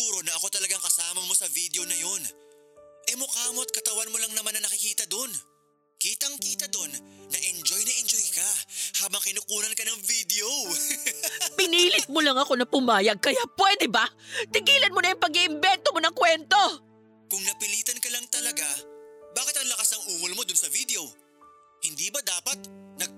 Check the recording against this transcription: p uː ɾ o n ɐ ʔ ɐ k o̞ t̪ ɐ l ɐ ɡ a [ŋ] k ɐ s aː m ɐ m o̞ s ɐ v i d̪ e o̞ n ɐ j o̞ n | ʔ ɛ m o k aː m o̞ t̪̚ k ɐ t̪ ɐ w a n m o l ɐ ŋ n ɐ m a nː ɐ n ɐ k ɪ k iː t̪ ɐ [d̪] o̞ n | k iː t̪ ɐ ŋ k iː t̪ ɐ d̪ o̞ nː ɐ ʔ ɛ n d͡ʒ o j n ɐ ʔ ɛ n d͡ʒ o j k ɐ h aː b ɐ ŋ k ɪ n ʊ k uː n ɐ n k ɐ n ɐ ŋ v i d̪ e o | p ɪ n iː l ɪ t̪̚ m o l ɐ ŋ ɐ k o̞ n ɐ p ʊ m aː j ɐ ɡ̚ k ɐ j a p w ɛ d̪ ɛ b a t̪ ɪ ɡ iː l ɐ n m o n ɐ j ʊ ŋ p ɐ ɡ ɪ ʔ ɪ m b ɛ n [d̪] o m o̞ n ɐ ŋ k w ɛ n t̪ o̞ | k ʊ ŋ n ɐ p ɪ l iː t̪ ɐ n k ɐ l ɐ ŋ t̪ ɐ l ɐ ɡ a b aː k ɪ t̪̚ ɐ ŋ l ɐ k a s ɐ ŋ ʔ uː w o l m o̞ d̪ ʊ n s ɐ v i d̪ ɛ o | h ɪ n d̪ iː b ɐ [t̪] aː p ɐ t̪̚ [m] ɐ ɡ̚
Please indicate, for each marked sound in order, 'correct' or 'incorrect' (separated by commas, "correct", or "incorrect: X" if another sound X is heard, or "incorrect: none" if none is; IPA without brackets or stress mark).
correct, correct, incorrect: t̪, incorrect: d̪, incorrect: n